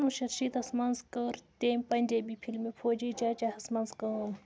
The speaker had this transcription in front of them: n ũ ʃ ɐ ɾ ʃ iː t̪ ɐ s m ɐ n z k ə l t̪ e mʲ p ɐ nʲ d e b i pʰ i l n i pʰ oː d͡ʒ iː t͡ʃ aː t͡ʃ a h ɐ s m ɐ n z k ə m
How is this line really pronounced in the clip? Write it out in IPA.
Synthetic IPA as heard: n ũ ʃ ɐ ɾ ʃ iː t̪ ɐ s m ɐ n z k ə ɾ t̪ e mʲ p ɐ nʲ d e b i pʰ i l m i pʰ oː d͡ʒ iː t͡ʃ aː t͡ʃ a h ɐ s m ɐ n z k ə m